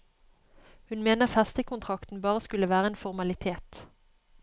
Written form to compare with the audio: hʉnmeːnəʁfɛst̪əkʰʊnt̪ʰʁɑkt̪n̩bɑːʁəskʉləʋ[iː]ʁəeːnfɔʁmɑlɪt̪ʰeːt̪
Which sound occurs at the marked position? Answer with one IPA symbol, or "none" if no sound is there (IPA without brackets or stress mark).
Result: æː